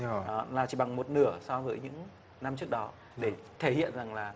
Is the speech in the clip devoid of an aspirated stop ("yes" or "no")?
no